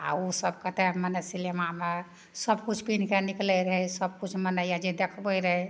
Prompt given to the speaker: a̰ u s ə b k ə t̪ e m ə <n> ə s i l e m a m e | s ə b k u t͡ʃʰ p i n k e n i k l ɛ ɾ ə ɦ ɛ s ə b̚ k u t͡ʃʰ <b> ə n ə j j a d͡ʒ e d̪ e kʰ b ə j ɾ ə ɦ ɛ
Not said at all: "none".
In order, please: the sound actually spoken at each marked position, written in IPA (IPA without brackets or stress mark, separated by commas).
n, m